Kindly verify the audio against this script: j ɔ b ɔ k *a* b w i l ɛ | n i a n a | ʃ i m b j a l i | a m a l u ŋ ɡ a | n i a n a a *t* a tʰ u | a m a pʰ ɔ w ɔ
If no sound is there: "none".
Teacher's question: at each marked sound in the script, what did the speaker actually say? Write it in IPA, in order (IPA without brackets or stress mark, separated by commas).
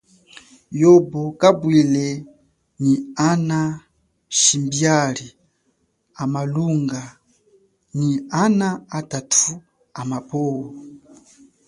a, t